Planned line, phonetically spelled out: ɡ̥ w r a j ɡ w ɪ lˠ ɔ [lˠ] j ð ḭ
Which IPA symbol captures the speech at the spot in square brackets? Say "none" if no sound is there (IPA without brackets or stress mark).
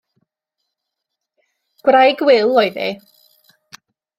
none